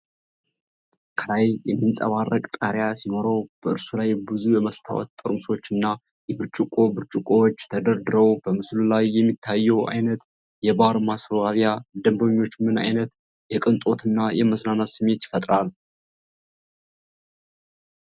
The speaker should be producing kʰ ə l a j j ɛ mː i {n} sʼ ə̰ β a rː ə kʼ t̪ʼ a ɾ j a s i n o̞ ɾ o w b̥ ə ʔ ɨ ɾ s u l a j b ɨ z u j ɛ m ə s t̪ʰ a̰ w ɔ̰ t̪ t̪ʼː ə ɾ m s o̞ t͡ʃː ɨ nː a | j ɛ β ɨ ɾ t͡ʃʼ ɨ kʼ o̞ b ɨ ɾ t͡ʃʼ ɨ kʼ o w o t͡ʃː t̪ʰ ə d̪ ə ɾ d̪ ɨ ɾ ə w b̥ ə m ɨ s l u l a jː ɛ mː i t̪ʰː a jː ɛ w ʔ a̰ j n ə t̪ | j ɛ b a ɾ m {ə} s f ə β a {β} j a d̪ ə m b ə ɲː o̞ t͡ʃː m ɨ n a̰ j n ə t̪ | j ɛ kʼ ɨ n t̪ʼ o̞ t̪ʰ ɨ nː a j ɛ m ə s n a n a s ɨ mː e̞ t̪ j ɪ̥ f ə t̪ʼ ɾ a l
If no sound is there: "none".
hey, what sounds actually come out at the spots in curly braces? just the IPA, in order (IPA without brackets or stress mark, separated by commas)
n, a, β